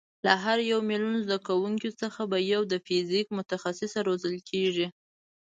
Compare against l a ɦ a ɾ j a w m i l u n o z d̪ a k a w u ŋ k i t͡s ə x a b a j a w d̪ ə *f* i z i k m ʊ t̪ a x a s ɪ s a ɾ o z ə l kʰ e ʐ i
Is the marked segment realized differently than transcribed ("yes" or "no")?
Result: no